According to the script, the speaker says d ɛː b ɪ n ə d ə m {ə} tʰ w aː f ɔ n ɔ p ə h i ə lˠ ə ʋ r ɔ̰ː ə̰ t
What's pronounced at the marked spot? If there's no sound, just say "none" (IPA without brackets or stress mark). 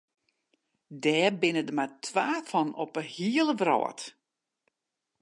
a